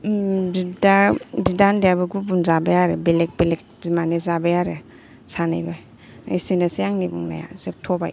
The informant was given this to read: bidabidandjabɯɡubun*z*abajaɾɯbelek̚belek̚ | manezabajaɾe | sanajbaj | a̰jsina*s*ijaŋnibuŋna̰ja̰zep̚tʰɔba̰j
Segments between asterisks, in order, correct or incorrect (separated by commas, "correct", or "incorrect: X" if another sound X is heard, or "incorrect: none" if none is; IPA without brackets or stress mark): correct, correct